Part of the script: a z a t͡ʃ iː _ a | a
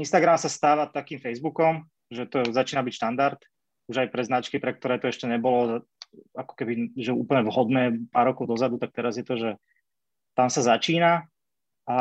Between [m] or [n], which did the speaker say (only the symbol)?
n